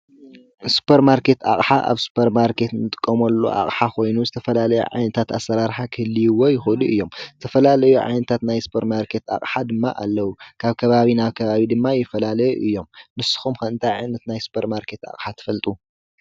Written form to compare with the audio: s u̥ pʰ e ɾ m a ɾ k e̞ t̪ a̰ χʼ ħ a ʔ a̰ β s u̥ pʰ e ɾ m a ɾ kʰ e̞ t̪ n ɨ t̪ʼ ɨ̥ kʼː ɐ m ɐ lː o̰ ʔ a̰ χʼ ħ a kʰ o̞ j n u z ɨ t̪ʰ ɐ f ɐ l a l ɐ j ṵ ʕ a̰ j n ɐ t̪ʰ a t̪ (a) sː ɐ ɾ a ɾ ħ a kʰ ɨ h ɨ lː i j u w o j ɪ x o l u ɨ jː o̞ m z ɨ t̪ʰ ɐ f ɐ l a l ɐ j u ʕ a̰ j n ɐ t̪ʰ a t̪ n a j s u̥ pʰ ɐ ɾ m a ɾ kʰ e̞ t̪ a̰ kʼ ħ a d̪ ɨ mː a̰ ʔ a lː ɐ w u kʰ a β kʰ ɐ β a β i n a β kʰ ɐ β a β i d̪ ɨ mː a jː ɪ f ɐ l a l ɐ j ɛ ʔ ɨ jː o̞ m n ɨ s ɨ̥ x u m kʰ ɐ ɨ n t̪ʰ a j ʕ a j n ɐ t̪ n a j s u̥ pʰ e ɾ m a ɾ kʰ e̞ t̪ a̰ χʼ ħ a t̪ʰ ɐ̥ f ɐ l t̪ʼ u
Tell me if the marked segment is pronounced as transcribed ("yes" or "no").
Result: yes